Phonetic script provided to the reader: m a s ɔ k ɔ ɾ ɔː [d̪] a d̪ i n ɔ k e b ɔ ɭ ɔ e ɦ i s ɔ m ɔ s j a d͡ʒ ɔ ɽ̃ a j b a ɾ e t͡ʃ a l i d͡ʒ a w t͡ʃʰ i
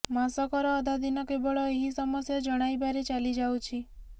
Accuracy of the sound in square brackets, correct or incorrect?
correct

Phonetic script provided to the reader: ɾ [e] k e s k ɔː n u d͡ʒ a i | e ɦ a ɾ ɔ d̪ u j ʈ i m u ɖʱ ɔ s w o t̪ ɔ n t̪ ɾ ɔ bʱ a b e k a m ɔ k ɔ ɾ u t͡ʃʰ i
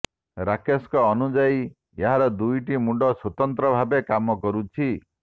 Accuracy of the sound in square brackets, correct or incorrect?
incorrect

